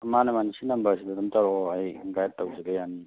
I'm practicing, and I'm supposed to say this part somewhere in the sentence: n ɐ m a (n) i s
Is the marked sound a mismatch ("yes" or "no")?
no